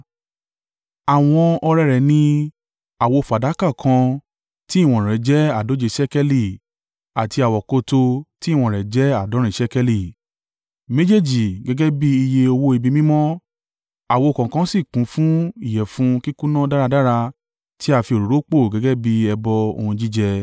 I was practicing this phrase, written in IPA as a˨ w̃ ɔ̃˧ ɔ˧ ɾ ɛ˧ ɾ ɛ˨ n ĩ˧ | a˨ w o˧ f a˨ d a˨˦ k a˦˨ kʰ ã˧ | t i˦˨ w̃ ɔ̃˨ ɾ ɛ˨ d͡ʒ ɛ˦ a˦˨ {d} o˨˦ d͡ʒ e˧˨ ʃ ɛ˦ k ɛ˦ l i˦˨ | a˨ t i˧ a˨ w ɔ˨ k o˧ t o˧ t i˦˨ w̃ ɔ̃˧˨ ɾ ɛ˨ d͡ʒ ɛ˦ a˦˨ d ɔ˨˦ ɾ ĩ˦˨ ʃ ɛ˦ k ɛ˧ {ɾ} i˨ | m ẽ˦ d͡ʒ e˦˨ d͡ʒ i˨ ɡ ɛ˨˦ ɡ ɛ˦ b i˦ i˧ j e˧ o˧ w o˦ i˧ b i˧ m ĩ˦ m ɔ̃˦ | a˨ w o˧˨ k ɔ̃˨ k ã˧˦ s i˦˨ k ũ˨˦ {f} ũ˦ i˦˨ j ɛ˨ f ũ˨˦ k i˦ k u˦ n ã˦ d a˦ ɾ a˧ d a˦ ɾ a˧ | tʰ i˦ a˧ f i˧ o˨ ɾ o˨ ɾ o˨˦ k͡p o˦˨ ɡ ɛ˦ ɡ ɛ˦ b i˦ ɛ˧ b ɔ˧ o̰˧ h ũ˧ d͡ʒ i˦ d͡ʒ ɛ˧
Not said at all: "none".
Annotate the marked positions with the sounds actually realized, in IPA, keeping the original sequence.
d, l, f

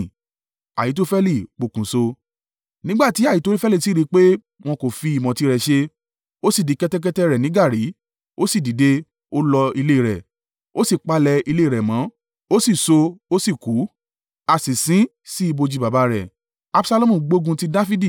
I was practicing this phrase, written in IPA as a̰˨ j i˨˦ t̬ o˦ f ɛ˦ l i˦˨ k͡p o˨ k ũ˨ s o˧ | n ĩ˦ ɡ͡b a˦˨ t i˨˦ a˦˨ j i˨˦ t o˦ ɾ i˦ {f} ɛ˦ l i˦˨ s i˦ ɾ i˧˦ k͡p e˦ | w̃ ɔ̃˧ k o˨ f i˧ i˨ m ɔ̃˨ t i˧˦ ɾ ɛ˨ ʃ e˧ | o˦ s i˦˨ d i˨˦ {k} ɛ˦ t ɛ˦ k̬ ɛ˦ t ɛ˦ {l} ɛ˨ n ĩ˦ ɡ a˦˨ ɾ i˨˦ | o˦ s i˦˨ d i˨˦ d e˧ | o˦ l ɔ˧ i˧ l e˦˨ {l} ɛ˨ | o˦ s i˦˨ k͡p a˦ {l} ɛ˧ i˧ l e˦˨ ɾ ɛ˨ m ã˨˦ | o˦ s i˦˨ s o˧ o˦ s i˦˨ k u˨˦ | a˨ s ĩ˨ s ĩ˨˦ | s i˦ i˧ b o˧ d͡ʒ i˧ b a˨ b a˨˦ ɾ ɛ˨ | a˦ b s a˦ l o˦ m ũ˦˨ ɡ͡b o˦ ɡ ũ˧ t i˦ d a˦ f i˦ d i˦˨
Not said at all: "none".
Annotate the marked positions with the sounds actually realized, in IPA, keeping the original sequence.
f, k, ɾ, ɾ, l

